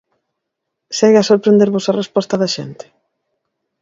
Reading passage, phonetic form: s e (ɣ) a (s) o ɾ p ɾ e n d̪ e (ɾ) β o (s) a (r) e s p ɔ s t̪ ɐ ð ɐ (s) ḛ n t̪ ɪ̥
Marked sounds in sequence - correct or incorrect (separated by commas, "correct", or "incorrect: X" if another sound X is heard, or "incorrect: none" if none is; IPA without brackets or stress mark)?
correct, correct, correct, correct, correct, incorrect: ʃ